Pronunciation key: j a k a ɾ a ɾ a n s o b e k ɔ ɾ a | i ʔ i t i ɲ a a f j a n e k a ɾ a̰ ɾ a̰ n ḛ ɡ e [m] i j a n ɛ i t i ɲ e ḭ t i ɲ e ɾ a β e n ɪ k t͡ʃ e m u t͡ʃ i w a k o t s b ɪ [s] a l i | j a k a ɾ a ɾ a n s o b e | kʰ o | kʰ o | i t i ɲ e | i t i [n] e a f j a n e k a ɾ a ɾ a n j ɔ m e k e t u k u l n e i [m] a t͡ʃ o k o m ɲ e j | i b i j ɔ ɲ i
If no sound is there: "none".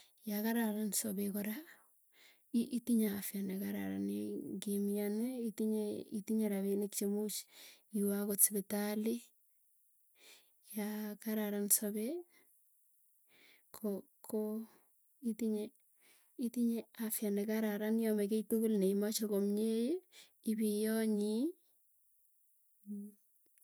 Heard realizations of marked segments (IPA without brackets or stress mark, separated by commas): m, t, ɲ, m